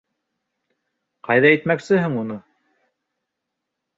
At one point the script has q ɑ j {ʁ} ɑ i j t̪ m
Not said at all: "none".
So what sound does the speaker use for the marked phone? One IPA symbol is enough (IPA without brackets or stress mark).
ð